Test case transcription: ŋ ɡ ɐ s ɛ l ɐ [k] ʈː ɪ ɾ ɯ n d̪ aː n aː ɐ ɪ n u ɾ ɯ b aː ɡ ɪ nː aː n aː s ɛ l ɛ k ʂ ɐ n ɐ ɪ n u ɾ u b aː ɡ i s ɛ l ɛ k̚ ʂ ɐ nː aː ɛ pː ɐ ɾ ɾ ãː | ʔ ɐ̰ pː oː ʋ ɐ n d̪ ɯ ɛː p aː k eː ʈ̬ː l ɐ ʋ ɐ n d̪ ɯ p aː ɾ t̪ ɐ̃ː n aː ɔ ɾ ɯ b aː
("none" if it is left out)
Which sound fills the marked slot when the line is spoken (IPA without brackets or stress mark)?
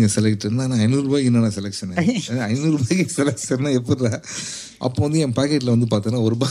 k